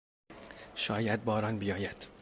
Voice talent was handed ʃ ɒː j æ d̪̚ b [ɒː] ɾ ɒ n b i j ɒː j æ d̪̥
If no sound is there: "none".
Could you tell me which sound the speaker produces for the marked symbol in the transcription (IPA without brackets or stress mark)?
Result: ɒː